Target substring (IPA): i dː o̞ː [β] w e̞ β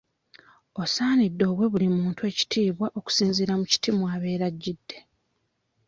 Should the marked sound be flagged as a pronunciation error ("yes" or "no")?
no